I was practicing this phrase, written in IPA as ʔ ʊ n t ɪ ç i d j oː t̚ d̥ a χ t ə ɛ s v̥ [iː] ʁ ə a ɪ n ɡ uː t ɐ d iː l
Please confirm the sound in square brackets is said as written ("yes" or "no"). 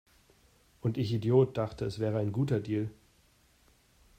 no